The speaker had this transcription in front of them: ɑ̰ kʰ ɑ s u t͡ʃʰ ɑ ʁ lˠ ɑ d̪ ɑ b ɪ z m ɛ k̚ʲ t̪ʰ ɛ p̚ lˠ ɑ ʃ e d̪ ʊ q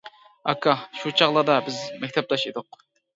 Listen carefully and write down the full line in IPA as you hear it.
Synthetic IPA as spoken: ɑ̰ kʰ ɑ ʃ u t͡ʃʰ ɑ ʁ lˠ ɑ d̪ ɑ b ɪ z m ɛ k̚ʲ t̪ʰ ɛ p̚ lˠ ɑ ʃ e d̪ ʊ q